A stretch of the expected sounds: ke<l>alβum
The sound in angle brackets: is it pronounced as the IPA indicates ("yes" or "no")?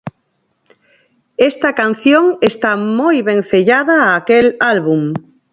yes